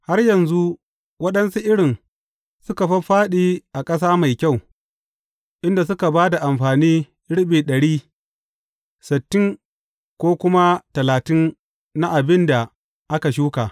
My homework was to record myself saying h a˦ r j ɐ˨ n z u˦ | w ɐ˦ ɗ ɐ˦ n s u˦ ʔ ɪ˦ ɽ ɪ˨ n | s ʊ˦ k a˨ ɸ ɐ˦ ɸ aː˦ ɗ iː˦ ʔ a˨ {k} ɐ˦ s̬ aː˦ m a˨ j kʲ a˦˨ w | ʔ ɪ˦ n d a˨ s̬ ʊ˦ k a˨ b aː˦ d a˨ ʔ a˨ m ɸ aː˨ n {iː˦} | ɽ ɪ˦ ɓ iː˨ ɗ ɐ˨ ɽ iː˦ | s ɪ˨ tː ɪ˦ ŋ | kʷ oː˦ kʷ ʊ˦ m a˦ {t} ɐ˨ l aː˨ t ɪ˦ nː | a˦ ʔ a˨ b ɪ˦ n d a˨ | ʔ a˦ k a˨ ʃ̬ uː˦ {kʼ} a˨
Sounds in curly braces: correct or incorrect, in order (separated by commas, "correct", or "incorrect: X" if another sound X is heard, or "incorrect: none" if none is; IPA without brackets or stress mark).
incorrect: kʼ, correct, correct, incorrect: k